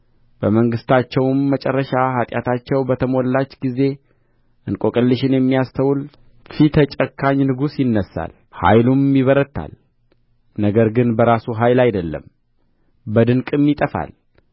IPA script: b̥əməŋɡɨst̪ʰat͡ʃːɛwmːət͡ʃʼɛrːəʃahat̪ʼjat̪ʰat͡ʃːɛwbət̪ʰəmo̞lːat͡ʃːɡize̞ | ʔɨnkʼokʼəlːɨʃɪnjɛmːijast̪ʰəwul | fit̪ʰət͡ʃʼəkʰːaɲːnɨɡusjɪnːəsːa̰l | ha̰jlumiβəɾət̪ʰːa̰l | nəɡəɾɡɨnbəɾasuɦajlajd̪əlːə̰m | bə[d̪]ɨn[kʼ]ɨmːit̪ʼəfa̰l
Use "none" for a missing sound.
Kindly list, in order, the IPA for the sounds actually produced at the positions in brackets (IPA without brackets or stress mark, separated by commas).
d̪, kʼ